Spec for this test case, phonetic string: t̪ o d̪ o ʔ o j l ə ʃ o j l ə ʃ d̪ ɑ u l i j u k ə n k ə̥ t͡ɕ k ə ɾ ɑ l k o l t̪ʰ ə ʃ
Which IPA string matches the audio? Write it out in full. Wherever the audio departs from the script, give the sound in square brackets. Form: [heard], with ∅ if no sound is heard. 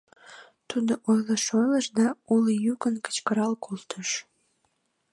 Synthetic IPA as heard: t̪ [u] d̪ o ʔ o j l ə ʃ o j l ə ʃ d̪ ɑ u l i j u k ə n k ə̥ t͡ɕ k ə ɾ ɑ l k o l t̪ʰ ə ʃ